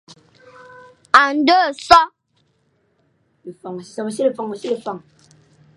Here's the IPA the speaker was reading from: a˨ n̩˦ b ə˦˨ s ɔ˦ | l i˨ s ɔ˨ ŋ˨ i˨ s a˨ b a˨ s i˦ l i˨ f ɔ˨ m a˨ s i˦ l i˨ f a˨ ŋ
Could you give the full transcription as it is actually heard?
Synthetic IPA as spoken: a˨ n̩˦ d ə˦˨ s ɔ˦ | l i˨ f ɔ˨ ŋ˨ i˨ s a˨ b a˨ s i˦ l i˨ f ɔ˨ ŋ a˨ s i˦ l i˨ f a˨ ŋ